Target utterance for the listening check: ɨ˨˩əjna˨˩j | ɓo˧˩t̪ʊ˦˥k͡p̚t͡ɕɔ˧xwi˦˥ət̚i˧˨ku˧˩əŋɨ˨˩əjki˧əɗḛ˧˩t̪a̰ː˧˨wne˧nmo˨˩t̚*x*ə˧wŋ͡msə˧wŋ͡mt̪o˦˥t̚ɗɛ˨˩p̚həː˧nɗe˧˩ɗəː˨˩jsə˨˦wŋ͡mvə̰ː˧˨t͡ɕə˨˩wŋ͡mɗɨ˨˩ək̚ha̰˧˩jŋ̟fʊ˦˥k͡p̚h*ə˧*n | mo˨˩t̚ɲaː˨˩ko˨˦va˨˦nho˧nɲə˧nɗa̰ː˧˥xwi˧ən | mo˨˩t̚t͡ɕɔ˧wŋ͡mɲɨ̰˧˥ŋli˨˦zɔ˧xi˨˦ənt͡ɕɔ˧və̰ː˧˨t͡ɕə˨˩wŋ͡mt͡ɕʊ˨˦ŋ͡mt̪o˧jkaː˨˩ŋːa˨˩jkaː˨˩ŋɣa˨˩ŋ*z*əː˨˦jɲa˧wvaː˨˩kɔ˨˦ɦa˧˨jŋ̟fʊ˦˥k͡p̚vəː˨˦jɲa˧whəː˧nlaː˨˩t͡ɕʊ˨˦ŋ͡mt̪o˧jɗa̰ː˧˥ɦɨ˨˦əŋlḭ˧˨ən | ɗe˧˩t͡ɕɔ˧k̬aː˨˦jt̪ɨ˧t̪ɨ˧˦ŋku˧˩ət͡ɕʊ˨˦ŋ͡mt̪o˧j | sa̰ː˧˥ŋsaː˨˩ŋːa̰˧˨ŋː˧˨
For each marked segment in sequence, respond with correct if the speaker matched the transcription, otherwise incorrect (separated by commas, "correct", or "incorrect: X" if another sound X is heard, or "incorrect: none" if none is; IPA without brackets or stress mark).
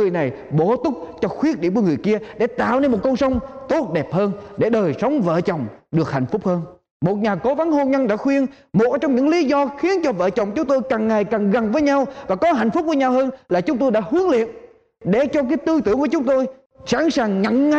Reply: incorrect: k, incorrect: əː˧, incorrect: v